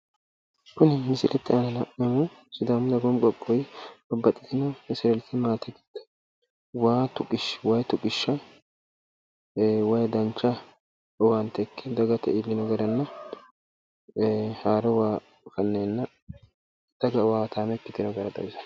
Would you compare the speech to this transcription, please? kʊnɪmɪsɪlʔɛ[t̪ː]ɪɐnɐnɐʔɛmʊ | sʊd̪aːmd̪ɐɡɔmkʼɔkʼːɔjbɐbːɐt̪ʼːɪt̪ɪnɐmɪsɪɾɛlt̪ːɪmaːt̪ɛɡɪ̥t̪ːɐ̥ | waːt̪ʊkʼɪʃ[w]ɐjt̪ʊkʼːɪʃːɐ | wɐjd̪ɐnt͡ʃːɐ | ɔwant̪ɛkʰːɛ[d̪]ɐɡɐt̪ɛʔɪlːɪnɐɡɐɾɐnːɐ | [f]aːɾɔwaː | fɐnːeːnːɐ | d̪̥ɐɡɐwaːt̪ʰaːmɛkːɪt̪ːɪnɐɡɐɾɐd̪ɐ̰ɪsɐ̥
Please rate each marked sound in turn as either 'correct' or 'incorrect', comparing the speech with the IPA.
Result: correct, correct, correct, incorrect

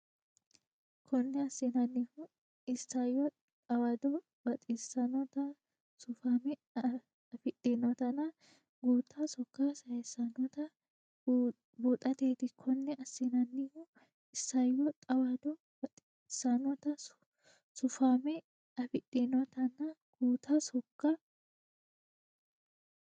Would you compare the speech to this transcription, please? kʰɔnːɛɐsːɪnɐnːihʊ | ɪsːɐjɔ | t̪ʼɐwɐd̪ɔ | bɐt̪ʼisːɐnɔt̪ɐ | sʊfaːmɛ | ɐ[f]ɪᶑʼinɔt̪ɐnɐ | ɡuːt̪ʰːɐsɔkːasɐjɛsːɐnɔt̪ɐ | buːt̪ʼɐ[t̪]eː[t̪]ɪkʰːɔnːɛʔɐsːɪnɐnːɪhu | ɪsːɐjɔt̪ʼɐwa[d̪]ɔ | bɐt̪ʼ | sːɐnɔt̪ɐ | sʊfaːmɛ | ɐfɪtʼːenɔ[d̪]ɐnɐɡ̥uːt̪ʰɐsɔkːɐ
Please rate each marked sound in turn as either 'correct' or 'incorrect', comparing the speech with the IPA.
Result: correct, correct, correct, correct, incorrect

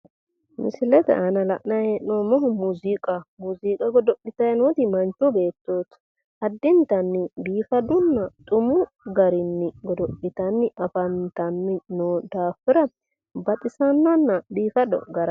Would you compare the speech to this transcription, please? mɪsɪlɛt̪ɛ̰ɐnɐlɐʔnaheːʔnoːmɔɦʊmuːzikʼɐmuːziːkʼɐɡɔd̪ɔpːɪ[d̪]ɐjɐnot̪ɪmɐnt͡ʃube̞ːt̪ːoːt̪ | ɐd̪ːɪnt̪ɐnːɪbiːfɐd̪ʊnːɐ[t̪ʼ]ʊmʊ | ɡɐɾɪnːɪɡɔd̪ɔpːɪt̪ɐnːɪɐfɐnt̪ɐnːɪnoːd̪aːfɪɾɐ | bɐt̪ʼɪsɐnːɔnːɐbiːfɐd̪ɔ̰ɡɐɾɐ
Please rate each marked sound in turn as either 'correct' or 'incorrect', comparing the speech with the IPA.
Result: incorrect, correct

